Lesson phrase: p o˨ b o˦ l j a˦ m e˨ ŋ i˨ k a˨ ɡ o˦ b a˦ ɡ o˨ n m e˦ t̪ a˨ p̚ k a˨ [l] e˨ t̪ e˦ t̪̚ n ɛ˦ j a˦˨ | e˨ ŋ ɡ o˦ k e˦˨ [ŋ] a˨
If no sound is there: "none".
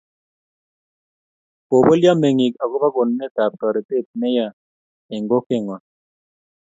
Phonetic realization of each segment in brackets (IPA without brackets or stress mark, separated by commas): ɾ, ŋ